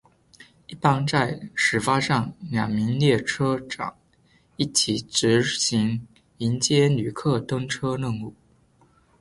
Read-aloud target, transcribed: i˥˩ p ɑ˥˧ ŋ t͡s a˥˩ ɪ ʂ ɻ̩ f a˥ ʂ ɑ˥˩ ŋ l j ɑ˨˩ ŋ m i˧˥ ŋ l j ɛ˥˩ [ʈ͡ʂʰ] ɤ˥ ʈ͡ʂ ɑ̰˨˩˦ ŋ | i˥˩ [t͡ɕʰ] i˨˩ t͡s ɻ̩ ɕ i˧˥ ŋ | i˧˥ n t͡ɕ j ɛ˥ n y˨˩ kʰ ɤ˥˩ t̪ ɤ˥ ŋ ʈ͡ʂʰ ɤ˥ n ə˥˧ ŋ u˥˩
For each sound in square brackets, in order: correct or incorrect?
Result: correct, correct

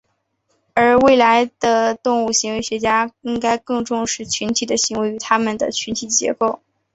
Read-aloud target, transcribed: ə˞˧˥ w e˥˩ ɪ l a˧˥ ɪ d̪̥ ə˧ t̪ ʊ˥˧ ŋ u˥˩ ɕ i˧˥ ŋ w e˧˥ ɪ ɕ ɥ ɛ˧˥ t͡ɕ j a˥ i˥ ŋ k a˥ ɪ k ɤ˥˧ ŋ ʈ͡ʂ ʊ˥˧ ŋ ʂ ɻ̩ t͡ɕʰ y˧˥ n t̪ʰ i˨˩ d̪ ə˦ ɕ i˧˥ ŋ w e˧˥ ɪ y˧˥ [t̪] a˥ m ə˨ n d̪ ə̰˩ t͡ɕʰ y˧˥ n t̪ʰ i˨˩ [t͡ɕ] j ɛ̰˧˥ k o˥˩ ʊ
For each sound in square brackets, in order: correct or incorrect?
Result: incorrect, correct

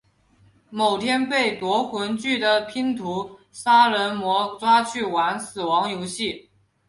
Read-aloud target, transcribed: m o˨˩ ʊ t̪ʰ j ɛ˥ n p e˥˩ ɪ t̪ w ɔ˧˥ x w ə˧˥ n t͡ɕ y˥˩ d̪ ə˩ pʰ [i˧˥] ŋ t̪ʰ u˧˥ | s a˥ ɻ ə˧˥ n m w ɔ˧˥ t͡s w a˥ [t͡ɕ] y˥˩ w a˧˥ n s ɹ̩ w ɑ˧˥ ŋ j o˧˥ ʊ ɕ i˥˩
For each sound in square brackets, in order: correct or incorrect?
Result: incorrect, incorrect

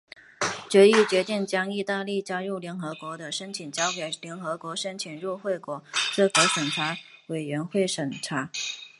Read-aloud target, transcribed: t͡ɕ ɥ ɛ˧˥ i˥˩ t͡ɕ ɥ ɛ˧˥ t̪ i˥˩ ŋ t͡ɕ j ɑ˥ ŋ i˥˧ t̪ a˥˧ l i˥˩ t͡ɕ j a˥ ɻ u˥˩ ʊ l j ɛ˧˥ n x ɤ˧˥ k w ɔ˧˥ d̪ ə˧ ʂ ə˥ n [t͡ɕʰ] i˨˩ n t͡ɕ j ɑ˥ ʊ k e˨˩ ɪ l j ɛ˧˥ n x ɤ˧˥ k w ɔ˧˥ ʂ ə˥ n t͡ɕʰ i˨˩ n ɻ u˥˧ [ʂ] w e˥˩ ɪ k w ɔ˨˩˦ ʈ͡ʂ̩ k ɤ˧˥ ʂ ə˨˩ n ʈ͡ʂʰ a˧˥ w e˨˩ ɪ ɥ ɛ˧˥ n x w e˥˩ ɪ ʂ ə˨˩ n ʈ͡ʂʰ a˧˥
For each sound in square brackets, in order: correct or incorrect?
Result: correct, incorrect

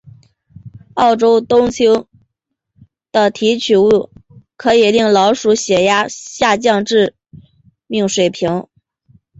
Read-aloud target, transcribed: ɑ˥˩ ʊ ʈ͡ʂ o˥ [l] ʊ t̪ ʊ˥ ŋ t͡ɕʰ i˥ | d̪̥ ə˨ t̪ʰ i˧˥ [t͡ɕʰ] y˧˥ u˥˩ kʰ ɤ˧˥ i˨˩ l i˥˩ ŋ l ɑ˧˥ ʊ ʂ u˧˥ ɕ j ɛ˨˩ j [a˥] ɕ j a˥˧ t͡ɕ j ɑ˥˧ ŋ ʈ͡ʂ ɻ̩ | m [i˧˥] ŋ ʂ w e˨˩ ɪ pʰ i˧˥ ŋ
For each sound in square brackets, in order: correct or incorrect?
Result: incorrect, correct, correct, incorrect

